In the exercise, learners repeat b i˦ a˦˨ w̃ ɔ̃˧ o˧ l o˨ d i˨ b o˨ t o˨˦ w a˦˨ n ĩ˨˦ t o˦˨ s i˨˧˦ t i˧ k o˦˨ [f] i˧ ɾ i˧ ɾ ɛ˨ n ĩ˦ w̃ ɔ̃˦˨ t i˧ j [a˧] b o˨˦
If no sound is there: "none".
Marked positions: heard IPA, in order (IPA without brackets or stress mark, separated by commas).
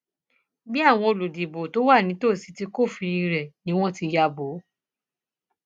f, a˧